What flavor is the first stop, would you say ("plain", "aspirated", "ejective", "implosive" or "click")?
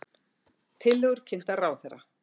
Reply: aspirated